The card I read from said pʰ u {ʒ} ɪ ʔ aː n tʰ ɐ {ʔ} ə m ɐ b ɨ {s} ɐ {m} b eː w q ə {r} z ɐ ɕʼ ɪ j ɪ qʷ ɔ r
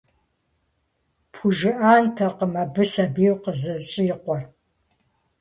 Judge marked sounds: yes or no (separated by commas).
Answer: yes, no, yes, no, no